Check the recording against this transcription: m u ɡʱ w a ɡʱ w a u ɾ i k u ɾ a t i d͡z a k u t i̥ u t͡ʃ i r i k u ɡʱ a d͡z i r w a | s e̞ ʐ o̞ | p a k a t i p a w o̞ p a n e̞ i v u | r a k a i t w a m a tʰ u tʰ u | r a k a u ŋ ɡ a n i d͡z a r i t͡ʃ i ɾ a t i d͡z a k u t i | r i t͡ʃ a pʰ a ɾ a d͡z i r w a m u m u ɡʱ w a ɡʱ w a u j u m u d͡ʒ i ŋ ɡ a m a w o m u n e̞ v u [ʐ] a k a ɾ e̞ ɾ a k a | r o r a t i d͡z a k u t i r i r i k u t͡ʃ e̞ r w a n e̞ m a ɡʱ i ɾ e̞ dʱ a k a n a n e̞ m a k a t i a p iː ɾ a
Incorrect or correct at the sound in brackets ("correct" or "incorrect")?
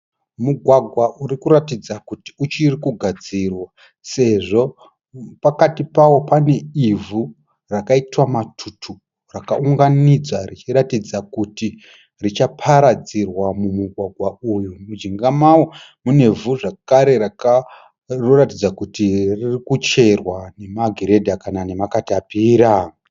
correct